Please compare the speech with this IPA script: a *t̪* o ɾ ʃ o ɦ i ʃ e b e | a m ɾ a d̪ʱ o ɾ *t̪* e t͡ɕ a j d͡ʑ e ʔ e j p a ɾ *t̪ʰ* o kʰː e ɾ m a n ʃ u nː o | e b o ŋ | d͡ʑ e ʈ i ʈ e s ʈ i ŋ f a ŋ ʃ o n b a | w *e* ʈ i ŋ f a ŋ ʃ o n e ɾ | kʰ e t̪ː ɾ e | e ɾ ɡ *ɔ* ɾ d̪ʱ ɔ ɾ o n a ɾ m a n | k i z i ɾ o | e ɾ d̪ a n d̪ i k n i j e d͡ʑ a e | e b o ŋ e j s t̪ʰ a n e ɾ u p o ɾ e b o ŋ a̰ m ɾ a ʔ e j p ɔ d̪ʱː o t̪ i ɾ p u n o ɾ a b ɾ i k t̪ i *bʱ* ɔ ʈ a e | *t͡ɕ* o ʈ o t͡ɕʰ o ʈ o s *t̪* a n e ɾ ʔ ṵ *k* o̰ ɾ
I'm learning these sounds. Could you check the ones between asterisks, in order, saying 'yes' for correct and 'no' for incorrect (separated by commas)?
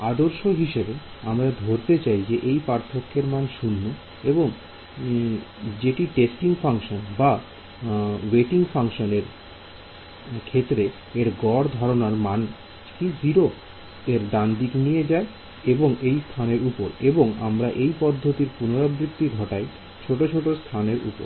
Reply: no, yes, yes, yes, yes, no, no, no, no